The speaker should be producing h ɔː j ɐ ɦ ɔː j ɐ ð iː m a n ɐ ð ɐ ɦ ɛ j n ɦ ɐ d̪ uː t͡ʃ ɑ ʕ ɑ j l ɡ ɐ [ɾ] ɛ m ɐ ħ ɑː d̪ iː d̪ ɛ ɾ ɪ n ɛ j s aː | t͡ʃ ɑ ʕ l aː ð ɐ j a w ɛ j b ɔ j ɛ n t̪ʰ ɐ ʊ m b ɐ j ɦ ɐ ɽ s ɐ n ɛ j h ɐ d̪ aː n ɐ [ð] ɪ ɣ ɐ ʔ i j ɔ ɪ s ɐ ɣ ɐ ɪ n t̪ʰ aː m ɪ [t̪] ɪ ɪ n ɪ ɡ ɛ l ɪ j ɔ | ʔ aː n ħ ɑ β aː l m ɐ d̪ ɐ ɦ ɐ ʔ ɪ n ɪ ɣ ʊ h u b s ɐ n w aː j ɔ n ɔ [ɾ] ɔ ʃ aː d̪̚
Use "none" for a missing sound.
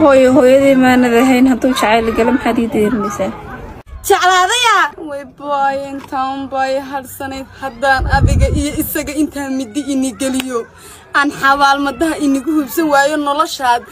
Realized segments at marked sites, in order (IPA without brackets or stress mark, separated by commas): l, ð, d̪, l